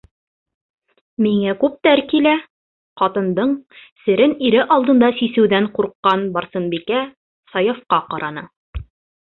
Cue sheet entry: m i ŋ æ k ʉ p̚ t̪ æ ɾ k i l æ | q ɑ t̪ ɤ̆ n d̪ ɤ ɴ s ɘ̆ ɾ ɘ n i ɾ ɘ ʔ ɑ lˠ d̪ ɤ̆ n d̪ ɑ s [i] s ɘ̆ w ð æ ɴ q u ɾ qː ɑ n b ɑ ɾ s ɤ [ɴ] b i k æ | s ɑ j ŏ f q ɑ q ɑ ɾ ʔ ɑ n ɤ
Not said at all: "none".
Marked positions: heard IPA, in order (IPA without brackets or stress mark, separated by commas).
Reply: i, n